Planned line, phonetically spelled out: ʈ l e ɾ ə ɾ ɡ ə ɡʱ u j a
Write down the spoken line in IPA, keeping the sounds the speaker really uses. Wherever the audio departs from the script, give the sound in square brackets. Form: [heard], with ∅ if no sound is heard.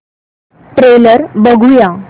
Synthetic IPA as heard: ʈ [ɾ] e [l] ə ɾ [b] ə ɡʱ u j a